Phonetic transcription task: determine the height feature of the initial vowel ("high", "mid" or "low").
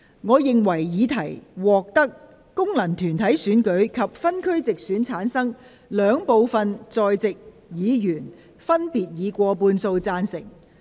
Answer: mid